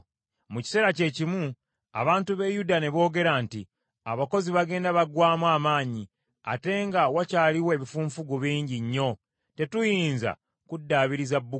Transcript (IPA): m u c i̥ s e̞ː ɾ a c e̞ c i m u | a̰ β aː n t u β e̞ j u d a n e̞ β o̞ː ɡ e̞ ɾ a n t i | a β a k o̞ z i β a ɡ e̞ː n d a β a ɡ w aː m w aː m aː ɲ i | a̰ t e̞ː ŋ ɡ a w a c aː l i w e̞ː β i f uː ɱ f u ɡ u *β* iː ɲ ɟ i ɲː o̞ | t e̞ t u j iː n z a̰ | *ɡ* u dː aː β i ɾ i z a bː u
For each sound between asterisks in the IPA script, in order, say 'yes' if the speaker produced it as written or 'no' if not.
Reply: yes, no

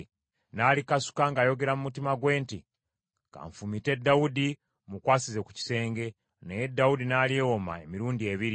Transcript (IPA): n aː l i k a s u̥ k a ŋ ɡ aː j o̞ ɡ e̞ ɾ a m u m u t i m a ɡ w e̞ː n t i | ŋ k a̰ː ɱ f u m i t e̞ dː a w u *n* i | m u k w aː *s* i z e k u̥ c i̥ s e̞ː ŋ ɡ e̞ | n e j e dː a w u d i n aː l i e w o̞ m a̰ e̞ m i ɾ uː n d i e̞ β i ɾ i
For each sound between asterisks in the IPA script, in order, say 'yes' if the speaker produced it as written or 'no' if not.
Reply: no, yes

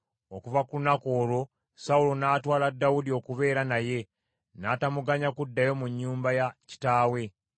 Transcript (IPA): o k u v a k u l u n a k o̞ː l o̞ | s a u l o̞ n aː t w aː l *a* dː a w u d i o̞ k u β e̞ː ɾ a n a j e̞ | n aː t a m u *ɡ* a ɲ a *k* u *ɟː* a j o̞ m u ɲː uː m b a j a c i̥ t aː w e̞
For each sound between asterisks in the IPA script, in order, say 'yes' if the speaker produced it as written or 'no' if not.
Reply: yes, yes, yes, no

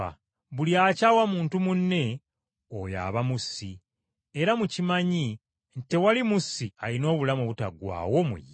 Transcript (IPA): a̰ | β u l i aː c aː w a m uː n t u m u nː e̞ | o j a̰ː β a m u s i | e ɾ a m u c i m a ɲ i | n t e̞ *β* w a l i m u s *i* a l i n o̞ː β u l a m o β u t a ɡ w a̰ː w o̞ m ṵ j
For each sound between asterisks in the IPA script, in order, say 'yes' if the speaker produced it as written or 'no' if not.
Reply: no, yes

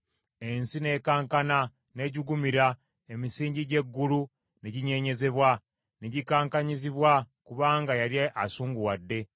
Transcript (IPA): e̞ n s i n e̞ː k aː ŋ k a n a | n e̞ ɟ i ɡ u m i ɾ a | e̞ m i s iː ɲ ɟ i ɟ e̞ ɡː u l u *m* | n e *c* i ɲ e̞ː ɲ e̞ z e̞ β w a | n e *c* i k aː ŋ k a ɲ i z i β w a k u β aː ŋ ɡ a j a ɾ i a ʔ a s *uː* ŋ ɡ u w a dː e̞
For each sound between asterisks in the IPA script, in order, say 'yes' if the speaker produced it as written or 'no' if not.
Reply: no, no, no, yes

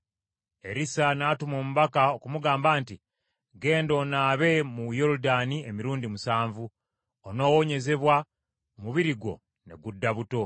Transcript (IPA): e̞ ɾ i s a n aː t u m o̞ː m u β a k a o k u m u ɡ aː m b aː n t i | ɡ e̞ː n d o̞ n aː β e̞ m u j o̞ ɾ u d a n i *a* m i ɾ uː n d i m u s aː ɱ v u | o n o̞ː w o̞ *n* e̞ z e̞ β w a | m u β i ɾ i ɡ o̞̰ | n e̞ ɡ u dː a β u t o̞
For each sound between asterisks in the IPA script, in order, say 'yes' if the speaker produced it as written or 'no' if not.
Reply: no, no

